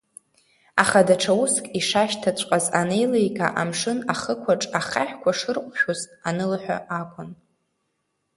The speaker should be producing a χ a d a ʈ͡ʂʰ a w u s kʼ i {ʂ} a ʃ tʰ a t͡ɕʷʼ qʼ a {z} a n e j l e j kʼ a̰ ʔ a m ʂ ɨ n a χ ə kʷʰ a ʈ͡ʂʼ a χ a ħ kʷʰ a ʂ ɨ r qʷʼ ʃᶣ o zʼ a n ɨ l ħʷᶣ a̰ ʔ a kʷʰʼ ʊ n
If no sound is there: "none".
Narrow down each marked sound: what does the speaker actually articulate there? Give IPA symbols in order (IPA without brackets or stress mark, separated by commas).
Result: ʂ, z